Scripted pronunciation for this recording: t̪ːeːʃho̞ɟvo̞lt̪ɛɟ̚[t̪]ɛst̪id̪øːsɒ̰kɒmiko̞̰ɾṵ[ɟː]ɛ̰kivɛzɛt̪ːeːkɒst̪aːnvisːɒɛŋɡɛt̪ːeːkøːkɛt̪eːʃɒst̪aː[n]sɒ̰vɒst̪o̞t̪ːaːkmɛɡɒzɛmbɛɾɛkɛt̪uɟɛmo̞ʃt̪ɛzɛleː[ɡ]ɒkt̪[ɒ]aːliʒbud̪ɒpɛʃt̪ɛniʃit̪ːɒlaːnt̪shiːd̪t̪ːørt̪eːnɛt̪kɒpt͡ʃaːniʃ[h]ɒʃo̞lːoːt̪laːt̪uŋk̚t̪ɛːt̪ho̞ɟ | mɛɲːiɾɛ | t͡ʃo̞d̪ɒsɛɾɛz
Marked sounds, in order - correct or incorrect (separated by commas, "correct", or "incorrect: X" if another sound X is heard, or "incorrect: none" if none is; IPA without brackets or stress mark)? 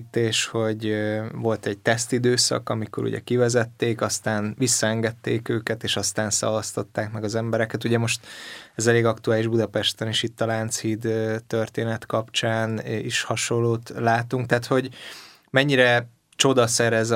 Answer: correct, incorrect: ɟ, correct, correct, incorrect: u, correct